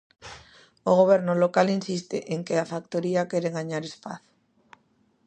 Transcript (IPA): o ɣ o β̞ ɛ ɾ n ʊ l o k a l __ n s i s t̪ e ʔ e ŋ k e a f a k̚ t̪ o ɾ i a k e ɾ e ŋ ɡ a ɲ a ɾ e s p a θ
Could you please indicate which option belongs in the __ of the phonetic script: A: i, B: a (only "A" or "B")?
A